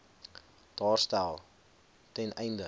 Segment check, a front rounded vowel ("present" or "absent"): absent